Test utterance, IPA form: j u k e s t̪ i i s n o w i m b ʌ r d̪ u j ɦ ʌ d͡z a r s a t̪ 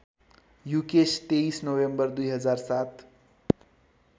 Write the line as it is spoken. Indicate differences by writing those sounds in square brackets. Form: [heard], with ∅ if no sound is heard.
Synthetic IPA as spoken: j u k e s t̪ [e] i s n o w [e] m b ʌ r d̪ u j ɦ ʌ d͡z a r s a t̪